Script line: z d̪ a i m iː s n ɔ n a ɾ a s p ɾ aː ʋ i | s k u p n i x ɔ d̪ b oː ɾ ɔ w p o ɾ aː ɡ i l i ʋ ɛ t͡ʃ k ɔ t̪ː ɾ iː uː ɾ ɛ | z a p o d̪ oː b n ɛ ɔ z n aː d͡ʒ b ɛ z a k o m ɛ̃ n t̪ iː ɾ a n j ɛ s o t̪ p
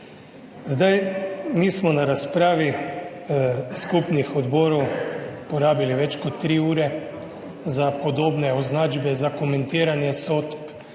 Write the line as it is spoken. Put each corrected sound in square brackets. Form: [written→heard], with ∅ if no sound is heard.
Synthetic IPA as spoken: z d̪ a [i→j] m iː s [n→m] ɔ n a ɾ a s p ɾ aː ʋ i | s k u p n i x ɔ d̪ b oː ɾ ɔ w p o ɾ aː [ɡ→b] i l i ʋ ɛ t͡ʃ k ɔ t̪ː ɾ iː uː ɾ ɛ | z a p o d̪ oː b n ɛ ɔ z n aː d͡ʒ b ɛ z a k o m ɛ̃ n t̪ iː ɾ a n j ɛ s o t̪ p